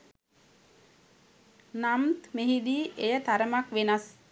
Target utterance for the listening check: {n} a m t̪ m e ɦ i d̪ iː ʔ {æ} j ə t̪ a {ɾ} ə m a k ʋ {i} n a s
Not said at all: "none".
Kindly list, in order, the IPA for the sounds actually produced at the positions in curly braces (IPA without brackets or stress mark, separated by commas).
n, e, ɾ, e